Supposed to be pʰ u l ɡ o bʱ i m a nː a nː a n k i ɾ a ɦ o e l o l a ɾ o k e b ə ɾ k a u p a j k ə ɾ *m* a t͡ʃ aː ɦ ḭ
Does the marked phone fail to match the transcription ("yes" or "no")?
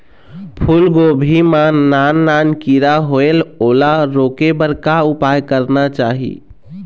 yes